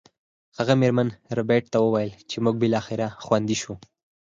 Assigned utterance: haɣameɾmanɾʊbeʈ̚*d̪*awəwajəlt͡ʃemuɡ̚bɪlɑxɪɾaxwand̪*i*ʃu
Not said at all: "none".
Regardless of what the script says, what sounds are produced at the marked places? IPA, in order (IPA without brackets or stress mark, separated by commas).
t̪, i